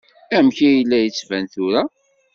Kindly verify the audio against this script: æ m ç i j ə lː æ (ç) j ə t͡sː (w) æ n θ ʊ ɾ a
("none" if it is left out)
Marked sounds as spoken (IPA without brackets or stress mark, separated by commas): none, v